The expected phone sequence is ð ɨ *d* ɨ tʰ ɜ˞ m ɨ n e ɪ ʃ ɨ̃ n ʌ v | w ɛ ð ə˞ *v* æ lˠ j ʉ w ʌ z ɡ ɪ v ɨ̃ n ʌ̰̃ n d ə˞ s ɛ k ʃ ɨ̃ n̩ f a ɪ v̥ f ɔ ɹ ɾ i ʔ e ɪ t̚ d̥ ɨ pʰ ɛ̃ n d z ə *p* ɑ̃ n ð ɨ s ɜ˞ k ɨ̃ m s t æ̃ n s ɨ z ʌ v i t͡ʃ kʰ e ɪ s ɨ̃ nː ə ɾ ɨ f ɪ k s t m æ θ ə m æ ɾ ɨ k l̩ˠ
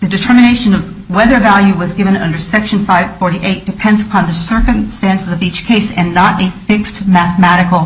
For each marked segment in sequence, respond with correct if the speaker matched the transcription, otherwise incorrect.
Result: correct, correct, incorrect

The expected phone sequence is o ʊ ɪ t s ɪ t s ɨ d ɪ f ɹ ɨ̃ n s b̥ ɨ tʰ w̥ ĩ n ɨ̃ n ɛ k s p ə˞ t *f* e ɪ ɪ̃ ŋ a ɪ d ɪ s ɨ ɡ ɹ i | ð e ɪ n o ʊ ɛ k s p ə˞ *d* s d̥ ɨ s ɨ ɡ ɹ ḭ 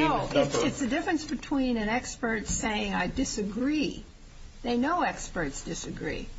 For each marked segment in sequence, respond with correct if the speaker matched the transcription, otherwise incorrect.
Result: incorrect, incorrect

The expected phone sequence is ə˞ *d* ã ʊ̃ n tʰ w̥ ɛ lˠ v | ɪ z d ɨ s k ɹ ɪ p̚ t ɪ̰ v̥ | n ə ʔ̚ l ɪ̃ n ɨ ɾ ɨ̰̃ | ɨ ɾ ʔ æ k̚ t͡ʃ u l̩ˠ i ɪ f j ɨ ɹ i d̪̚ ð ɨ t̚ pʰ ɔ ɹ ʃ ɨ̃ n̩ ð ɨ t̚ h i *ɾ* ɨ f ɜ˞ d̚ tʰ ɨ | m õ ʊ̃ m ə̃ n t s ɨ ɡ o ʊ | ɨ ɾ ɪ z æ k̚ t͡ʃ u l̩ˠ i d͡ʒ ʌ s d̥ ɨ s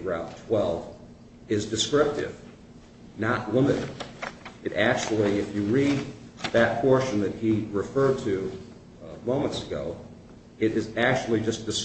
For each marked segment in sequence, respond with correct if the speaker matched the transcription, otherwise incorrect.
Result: incorrect, incorrect

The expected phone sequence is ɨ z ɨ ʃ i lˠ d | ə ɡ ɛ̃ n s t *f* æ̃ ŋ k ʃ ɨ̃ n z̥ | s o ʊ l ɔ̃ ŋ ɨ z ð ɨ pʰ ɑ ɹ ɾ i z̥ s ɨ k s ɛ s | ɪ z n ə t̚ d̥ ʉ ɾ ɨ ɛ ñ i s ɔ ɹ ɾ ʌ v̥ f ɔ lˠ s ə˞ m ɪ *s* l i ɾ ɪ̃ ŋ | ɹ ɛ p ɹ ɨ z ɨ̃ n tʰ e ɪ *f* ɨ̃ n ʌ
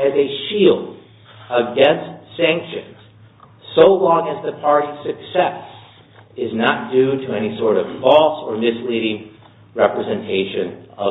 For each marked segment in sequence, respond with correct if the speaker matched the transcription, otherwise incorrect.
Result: incorrect, correct, incorrect

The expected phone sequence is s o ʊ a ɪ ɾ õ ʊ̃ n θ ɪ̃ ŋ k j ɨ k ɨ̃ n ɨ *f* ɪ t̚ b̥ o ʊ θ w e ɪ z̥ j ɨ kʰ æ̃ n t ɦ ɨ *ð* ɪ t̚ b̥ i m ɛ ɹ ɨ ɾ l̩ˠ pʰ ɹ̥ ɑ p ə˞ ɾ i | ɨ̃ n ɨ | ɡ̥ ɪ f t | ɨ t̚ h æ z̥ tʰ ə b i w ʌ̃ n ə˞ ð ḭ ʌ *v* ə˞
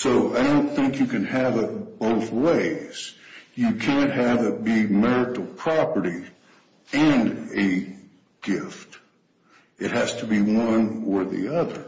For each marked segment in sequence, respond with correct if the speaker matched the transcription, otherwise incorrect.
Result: incorrect, incorrect, incorrect

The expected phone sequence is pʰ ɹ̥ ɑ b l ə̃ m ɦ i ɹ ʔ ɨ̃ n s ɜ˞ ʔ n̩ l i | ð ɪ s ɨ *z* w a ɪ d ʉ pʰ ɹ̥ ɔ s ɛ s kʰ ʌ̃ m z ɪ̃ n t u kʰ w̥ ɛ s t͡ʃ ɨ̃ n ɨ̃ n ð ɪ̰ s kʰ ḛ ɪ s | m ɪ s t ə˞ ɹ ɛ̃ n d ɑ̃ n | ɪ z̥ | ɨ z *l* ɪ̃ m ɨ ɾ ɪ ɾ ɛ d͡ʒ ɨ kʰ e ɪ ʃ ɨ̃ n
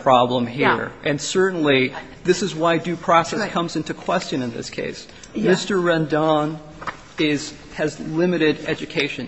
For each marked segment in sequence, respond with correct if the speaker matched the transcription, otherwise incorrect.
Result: correct, correct

